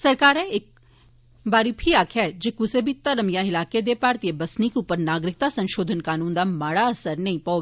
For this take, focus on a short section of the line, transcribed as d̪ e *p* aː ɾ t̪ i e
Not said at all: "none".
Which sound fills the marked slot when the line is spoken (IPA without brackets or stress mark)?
p